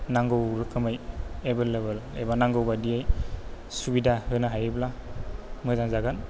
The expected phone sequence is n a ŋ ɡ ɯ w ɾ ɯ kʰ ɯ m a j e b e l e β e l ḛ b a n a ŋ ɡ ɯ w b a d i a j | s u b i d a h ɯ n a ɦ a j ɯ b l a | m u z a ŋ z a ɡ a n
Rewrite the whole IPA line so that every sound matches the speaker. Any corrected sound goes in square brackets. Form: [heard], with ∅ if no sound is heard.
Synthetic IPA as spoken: n a ŋ ɡ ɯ w ɾ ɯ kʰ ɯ m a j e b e l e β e l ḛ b a n a ŋ ɡ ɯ w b a d i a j | s u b i d a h ɯ n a ɦ a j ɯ b l a | m [ɯ] z a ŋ z a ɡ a n